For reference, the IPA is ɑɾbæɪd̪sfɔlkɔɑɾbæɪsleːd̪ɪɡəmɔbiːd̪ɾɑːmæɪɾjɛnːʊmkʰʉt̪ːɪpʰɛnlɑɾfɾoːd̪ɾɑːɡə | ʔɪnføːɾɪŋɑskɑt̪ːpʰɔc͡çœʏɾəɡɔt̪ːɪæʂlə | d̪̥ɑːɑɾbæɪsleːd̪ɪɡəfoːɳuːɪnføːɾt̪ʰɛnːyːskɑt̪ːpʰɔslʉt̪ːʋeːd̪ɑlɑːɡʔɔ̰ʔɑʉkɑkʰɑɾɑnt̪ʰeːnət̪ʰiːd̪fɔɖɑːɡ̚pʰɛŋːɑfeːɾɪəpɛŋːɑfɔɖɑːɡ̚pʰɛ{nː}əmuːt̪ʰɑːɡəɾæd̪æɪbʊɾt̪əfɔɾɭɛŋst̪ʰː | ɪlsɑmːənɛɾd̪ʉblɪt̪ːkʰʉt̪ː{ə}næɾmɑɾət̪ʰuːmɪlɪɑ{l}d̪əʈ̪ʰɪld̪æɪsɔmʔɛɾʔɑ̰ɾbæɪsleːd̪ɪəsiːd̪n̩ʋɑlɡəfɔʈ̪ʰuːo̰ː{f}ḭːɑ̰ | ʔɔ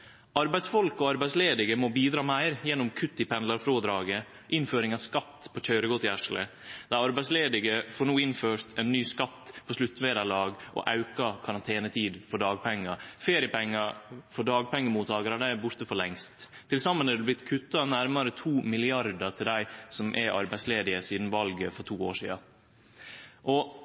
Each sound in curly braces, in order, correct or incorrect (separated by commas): incorrect, incorrect, incorrect, incorrect